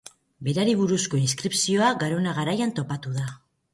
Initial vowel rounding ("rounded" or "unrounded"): unrounded